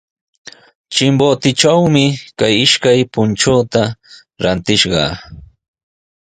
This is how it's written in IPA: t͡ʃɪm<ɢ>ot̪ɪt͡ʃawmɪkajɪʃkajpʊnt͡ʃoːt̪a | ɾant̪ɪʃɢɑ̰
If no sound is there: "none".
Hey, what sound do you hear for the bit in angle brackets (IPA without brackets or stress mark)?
b